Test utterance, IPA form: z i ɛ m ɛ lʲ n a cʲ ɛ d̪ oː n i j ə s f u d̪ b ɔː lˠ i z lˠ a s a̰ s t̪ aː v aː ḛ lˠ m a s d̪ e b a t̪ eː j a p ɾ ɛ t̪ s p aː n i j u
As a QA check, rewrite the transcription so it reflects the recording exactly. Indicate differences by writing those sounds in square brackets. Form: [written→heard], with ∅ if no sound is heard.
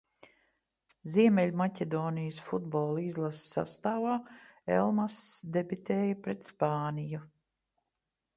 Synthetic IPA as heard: z i ɛ m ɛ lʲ [n→m] a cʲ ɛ d̪ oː n i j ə s f u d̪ b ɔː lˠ i z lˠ a s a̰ s t̪ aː v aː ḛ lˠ m a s d̪ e b [a→i] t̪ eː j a p ɾ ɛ t̪ s p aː n i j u

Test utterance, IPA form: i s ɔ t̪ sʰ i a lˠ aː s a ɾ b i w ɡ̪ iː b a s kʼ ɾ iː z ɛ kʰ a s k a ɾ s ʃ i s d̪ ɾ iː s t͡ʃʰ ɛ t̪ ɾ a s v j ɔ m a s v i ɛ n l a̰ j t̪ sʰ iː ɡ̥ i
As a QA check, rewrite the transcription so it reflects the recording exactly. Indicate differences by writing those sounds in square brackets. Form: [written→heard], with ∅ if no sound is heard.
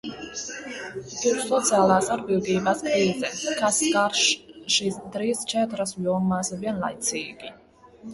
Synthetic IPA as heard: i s ɔ t̪ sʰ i a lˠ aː s a ɾ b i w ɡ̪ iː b a s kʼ ɾ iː z ɛ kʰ a s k a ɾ [s→ʃ] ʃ i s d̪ ɾ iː s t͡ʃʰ ɛ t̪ ɾ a s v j ɔ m a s v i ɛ n l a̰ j t̪ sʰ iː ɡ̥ i

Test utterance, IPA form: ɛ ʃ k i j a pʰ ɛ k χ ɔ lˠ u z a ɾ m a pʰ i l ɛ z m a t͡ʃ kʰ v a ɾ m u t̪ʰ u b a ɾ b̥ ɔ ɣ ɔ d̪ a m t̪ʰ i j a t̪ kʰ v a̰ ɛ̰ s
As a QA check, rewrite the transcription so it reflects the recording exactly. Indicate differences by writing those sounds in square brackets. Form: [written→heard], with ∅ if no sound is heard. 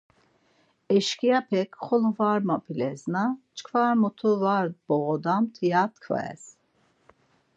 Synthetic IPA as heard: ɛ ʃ k i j a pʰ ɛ k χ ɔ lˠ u [z→v] a ɾ m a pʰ i l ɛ z [m→n] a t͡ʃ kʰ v a ɾ m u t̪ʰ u [b→v] a ɾ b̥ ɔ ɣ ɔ d̪ a m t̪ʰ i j a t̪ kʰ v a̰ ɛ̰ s

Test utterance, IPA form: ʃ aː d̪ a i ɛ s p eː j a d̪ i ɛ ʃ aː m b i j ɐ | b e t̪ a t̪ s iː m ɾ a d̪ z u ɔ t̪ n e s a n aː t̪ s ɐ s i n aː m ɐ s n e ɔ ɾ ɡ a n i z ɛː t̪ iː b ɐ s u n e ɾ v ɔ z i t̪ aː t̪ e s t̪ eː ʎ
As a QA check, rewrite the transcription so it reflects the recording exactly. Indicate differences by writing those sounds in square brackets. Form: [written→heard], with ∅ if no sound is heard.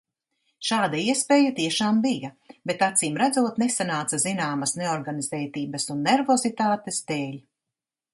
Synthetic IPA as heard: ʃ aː d̪ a i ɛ s p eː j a [d̪→t̪] i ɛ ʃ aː m b i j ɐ | b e t̪ a t̪ s iː m ɾ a d̪ z u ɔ t̪ n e s a n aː t̪ s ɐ [s→z] i n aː m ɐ s n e ɔ ɾ ɡ a n i z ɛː t̪ iː b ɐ s u [n→nː] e ɾ v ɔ z i t̪ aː t̪ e s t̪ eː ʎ

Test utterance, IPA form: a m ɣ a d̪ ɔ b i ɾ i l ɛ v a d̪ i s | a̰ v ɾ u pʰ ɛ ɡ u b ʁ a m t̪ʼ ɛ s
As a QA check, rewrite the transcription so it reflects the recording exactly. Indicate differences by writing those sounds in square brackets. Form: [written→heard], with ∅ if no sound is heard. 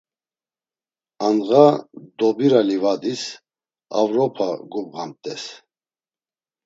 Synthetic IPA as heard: a [m→n] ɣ a d̪ ɔ b i ɾ [i→a] l [ɛ→i] v a d̪ i s | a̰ v ɾ [u→ɔ] pʰ [ɛ→a] ɡ u b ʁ a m t̪ʼ ɛ s

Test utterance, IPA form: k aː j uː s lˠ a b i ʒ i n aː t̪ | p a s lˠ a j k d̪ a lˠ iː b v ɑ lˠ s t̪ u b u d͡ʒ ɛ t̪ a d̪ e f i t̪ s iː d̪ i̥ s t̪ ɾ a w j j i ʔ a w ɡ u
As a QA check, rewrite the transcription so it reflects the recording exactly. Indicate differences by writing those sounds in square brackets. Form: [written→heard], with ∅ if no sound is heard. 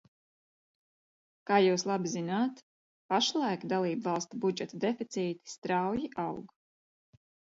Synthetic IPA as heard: k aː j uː s lˠ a b i [ʒ→z] i n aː t̪ | p a [s→ʃ] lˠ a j k d̪ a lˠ iː b v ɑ lˠ s t̪ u b u d͡ʒ ɛ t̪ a d̪ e f i t̪ s iː [d̪→t̪] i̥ s t̪ ɾ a w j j i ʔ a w ɡ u

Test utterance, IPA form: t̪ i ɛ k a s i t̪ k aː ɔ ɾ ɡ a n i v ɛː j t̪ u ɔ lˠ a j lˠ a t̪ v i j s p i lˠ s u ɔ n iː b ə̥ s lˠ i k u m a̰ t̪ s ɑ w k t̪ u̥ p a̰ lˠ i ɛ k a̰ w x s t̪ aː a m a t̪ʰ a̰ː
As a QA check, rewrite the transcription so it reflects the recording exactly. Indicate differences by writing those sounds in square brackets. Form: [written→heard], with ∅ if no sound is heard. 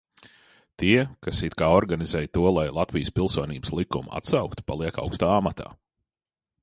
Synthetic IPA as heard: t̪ i ɛ k a s i t̪ k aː ɔ ɾ ɡ a n i [v→z] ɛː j t̪ u ɔ lˠ a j lˠ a t̪ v i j s p i lˠ s u ɔ n iː b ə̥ s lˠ i k u m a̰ t̪ s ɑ w k t̪ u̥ p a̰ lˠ i ɛ k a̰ w [x→k] s t̪ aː a m a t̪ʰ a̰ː

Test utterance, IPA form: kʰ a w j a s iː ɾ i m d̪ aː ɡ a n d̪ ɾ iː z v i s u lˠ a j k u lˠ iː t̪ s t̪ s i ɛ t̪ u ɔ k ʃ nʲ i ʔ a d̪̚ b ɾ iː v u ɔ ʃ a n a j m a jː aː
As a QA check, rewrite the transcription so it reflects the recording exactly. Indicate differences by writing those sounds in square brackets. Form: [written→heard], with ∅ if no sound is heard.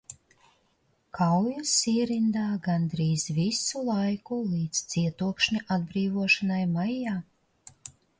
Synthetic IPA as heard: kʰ a w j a s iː ɾ i [m→n] d̪ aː ɡ a n d̪ ɾ iː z v i s u lˠ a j k u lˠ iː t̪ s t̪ s i ɛ t̪ u ɔ k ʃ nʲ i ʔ a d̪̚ b ɾ iː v u ɔ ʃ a n a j m a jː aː

